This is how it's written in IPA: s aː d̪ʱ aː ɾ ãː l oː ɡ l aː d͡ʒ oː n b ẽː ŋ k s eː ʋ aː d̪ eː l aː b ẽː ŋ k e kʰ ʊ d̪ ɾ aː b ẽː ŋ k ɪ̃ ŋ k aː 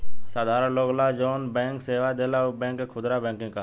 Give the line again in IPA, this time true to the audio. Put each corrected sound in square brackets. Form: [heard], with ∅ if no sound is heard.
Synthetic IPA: s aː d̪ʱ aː ɾ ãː l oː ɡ l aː d͡ʒ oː n b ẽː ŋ k s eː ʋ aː d̪ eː l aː b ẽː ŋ k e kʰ ʊ d̪ ɾ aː b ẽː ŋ k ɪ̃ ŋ k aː